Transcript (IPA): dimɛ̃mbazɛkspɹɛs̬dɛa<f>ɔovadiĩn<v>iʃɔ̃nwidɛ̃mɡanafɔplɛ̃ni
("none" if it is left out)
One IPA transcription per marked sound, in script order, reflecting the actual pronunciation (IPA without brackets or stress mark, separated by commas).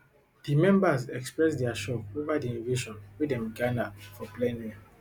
ʃ, v